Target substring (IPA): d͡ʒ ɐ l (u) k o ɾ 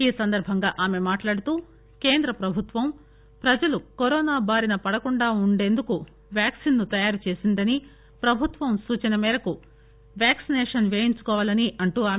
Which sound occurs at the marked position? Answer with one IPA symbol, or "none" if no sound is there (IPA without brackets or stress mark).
u